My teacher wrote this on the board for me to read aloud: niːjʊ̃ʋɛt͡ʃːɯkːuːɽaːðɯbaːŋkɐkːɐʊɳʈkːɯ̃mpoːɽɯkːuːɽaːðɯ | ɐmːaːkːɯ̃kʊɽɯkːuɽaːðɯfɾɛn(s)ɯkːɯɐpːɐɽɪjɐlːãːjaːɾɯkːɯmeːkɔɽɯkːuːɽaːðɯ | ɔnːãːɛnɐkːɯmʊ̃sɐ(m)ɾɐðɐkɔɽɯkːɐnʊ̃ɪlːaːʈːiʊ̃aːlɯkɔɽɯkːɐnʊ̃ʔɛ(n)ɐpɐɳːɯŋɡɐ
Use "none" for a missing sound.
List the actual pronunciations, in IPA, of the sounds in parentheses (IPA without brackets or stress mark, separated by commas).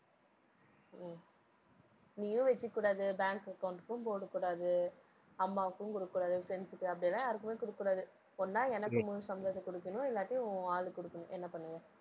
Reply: s, m, nː